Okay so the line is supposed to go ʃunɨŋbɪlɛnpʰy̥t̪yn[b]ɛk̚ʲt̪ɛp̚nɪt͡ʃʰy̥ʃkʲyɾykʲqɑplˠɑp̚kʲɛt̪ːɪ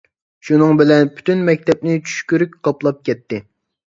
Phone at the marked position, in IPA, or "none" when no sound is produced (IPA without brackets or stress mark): m